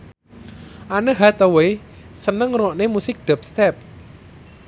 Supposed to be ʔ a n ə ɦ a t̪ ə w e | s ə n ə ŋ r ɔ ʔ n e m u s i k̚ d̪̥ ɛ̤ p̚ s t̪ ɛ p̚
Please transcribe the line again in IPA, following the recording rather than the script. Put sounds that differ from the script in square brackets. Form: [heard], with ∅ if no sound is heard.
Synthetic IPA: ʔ a n ə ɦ a t̪ ə w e | s ə n ə ŋ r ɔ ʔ n e m u s [ɪ] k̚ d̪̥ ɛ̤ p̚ s t̪ ɛ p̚